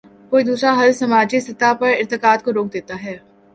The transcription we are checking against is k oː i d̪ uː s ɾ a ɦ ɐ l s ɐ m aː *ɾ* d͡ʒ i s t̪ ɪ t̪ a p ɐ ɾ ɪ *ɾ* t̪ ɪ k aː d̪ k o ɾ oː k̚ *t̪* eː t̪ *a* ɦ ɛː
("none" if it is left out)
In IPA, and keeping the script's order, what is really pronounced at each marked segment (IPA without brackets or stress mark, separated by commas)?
none, ɾ, d̪, a